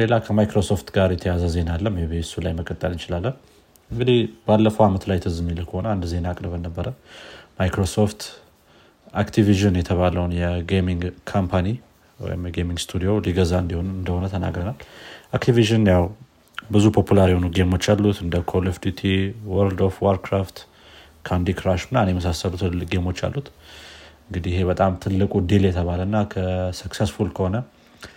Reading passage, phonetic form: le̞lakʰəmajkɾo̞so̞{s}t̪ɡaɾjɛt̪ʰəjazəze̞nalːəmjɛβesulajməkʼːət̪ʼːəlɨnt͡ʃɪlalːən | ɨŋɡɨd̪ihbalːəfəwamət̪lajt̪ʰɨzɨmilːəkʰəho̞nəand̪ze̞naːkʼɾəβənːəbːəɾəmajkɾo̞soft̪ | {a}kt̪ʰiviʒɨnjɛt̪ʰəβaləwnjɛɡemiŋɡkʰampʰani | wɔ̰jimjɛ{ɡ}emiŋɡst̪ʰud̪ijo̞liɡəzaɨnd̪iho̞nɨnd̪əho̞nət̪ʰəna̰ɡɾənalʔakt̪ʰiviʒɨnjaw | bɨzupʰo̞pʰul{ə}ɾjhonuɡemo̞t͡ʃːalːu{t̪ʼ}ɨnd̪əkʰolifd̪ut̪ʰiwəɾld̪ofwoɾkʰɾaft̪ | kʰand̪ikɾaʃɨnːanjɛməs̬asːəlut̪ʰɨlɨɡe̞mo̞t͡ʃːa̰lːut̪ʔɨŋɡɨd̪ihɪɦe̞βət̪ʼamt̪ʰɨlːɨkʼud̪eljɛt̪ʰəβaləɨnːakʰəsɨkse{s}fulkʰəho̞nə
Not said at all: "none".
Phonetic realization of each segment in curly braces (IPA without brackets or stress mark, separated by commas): f, a, ɡ, a, t̪, s